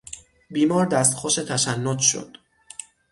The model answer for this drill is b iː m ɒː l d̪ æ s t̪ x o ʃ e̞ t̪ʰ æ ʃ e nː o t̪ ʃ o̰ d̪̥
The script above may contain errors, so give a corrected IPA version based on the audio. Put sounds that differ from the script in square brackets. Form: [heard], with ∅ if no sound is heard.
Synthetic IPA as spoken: b iː m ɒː [ɾ] d̪ æ s t̪ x o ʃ e̞ t̪ʰ æ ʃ [æ] nː o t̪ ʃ o̰ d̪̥